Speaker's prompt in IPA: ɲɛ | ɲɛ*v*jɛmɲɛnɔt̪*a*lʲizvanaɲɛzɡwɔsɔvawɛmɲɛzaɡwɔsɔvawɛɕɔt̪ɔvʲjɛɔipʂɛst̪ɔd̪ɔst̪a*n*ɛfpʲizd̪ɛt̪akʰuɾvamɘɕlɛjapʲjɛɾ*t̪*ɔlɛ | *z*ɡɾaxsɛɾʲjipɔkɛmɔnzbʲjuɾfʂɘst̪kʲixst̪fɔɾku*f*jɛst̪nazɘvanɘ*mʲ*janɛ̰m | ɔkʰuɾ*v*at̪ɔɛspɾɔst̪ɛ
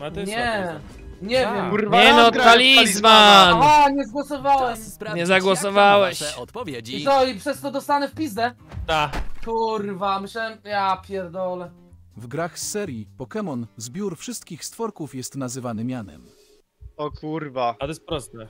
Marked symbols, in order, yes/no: yes, yes, yes, no, no, yes, yes, yes

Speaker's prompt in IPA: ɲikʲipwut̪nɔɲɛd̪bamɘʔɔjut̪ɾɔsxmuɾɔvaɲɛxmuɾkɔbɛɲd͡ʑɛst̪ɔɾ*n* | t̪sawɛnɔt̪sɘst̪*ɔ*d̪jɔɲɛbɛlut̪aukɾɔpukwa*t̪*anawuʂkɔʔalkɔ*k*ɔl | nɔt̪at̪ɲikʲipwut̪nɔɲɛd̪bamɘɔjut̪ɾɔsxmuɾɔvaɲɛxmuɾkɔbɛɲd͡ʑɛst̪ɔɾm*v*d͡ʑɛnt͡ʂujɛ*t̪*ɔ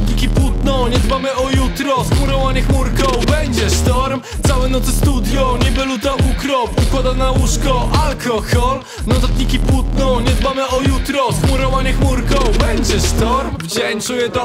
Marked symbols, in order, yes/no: no, no, no, no, yes, yes

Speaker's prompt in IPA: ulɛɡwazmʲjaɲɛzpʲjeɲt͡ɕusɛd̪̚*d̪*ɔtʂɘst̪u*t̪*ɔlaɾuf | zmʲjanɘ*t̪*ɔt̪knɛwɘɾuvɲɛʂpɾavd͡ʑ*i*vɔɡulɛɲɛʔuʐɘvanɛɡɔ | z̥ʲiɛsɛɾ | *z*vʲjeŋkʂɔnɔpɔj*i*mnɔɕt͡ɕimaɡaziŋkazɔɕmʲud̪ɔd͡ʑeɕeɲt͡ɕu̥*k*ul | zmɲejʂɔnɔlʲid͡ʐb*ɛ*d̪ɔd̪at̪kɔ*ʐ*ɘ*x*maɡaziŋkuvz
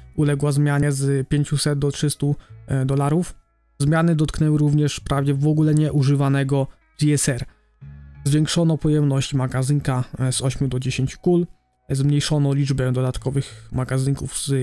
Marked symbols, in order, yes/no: yes, no, no, no, yes, no, yes, yes, no, yes

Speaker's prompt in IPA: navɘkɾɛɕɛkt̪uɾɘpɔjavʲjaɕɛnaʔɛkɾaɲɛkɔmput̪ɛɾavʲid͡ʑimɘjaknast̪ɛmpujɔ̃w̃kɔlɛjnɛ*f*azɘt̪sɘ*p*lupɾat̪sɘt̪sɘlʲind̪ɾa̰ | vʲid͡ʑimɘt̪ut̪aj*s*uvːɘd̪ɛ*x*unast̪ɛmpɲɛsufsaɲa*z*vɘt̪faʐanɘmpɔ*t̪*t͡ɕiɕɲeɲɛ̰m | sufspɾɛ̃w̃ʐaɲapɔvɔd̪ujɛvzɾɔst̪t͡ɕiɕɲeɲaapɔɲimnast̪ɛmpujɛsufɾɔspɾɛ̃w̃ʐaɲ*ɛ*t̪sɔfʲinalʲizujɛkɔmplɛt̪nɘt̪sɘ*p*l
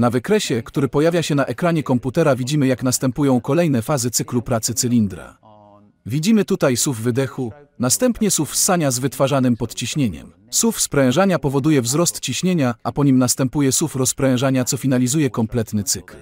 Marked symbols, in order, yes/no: yes, no, yes, yes, yes, yes, no, no

